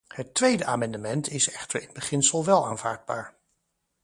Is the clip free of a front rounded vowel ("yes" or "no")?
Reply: yes